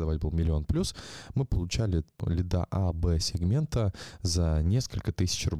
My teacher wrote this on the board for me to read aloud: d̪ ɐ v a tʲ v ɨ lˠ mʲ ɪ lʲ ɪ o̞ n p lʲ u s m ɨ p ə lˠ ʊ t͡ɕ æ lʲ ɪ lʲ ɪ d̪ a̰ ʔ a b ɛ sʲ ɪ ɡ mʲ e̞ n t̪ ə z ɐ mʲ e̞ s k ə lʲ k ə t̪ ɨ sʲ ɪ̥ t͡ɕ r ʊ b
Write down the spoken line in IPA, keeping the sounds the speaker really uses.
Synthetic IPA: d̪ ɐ v a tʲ b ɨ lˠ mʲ ɪ lʲ ɪ o̞ n p lʲ u s m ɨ p ə lˠ ʊ t͡ɕ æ lʲ ɪ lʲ ɪ d̪ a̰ ʔ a b ɛ sʲ ɪ ɡ mʲ e̞ n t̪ ə z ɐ nʲ e̞ s k ə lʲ k ə t̪ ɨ sʲ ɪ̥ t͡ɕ r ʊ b